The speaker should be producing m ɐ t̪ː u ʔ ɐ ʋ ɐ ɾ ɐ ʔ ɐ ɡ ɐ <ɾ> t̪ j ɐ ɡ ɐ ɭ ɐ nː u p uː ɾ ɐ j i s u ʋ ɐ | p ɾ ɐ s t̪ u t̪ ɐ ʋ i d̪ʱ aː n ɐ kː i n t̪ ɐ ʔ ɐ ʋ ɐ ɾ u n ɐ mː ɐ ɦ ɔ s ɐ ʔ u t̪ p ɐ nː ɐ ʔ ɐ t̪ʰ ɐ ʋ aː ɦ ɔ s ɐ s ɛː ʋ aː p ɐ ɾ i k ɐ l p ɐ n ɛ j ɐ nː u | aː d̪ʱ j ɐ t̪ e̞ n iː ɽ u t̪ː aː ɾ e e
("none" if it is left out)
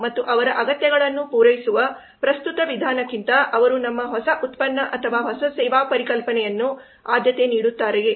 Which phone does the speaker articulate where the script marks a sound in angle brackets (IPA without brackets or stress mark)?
none